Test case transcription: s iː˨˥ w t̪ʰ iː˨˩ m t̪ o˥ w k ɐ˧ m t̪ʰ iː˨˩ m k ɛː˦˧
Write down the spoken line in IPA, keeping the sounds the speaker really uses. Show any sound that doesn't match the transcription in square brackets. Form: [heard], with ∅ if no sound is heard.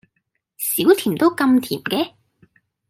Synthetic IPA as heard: s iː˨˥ w t̪ʰ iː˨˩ m t̪ o˥ w k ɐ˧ m t̪ʰ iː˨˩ m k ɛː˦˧